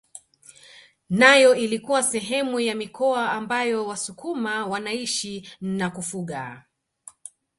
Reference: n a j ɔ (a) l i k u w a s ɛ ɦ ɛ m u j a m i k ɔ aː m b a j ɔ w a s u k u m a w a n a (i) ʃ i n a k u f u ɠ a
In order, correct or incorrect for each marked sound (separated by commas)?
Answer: incorrect, correct